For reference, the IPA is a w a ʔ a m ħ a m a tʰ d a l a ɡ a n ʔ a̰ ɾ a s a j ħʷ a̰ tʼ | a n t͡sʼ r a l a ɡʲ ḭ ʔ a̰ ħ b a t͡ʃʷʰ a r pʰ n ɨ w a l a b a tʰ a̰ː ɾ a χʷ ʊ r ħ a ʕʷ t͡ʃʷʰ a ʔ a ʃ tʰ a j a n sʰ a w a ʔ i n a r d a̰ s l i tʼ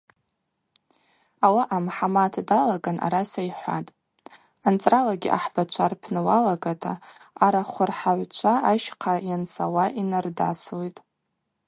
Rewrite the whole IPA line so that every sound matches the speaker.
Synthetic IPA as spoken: a w a ʔ a m ħ a m a tʰ d a l a ɡ a n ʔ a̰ ɾ a s a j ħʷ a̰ tʼ | a n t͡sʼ r a l a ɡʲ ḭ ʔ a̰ ħ b a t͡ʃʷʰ a r pʰ n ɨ w a l a ɡ a tʰ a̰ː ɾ a χʷ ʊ r ħ a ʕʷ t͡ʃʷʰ a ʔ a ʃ qʰ a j a n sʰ a w a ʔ i n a r d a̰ s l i tʼ